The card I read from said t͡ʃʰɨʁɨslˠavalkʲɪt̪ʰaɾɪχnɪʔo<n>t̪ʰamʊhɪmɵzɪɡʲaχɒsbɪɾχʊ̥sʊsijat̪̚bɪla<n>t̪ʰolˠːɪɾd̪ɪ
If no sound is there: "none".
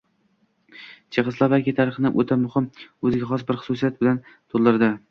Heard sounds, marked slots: none, n

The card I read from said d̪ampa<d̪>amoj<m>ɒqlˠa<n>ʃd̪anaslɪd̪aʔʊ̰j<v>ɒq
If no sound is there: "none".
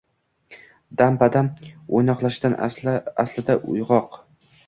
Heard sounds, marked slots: d̪, n, none, ʁ

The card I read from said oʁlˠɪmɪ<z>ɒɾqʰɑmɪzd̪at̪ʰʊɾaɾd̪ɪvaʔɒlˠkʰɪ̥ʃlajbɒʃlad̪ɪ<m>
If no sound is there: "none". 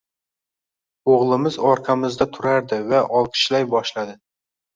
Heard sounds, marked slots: z, none

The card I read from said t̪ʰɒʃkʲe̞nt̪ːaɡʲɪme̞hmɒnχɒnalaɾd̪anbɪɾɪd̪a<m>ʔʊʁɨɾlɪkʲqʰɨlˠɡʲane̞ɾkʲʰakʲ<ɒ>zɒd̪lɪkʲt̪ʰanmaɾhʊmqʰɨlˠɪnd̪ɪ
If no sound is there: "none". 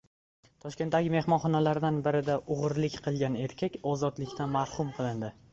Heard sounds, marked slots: none, ɒ

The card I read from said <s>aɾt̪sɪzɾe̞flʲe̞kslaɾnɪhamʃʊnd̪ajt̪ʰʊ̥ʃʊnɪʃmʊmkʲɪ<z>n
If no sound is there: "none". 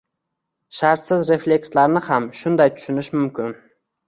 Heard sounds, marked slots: ʃ, none

